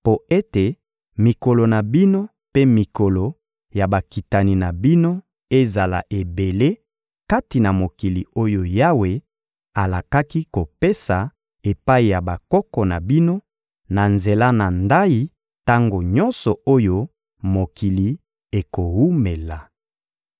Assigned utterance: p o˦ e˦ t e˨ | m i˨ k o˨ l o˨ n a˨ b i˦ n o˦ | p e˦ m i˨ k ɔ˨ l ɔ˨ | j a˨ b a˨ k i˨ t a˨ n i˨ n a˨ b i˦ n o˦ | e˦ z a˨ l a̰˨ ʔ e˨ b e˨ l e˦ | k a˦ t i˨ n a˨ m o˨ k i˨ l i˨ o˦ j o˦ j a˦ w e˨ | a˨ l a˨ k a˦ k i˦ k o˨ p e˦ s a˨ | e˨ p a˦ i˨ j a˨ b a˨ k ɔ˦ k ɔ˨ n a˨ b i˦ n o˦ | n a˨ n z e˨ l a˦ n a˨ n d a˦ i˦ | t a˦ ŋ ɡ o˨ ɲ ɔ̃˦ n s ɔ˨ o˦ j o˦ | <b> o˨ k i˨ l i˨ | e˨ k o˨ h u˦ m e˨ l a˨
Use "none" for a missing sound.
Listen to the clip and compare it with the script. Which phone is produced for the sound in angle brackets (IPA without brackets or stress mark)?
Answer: m